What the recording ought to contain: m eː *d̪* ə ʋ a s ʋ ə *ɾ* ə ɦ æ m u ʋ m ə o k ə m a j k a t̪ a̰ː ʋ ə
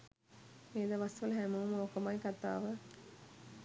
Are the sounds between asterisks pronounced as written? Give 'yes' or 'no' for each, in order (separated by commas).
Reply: yes, no